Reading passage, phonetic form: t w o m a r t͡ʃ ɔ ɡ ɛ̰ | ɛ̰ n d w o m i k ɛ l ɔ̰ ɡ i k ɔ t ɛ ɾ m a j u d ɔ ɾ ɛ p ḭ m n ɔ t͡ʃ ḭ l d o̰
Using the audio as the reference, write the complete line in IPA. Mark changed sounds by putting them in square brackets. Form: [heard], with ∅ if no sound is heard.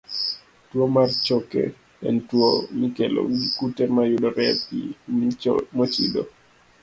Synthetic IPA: t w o m a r t͡ʃ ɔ [k] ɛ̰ | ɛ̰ n [t] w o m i k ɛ l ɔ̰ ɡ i k [u] t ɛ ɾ m a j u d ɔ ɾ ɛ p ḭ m [m] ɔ t͡ʃ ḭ [∅] d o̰